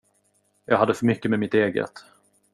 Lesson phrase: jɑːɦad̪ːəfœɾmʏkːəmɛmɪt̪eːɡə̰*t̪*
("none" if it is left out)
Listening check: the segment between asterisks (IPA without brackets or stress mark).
t̪